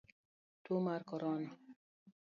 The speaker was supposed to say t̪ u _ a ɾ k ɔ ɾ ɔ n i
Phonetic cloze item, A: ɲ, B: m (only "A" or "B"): B